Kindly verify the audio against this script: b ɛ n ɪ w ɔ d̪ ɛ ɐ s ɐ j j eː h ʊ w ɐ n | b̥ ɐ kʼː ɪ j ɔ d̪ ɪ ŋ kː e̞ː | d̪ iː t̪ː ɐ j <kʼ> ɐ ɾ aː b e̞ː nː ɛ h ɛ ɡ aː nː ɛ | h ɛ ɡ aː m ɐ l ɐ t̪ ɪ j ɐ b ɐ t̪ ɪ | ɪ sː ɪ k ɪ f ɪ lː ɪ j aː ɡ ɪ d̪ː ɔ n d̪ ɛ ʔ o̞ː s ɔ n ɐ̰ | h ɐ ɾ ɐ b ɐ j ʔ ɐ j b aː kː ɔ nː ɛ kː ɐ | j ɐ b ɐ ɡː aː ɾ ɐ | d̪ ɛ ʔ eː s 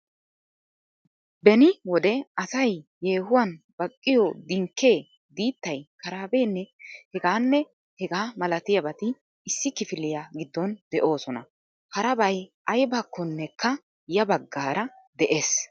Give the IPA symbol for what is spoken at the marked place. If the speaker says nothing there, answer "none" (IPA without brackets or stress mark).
k